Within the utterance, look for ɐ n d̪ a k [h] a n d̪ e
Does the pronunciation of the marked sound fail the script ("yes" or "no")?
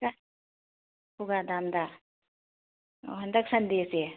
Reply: yes